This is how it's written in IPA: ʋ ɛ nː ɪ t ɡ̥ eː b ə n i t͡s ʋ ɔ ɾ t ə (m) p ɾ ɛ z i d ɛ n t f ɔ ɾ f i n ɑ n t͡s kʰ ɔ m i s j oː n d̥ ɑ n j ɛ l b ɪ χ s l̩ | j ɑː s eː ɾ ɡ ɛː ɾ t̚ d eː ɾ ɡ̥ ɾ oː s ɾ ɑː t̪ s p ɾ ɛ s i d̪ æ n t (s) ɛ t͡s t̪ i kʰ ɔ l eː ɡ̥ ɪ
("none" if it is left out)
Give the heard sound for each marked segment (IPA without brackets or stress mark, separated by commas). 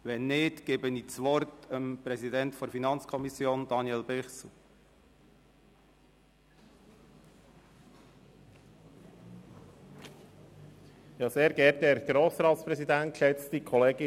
m, ʃ